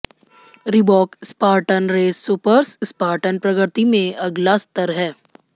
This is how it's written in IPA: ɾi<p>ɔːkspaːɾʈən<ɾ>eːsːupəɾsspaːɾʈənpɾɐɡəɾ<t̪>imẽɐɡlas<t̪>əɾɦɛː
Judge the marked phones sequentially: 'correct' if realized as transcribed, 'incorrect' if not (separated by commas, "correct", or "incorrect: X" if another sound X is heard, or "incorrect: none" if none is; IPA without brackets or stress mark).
incorrect: b, correct, correct, correct